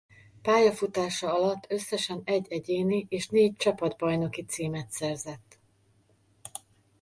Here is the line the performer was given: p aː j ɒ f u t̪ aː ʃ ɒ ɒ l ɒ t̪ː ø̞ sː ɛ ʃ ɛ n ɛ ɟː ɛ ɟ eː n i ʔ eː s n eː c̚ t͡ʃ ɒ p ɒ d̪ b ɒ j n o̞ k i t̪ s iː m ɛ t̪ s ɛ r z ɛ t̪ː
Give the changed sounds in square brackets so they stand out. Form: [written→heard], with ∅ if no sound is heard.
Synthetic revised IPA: p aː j ɒ f u t̪ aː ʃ ɒ ɒ l ɒ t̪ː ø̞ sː ɛ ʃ ɛ n ɛ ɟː ɛ ɟ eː n i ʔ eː [s→ʃ] n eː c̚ t͡ʃ ɒ p ɒ d̪ b ɒ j n o̞ k i t̪ s iː m ɛ t̪ s ɛ r z ɛ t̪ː